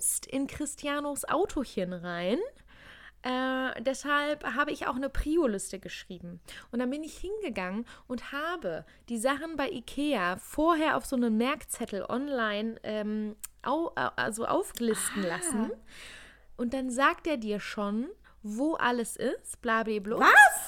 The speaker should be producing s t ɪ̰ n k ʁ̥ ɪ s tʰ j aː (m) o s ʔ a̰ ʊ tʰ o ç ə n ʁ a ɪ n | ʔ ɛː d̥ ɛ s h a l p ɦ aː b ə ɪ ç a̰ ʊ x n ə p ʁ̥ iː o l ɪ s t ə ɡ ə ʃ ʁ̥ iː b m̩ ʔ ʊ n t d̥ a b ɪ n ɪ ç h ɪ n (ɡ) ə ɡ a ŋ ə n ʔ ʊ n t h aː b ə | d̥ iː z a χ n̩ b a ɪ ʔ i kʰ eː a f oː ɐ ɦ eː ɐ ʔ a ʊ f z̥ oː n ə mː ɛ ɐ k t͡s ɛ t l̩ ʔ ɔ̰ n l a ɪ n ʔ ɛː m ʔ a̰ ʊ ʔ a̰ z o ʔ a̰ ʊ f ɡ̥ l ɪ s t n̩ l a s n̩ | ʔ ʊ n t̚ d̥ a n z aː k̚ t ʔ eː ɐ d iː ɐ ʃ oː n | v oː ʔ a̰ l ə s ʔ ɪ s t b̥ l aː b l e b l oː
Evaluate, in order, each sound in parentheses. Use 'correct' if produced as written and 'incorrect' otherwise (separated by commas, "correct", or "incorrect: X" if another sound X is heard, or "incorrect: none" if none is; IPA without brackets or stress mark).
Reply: incorrect: n, correct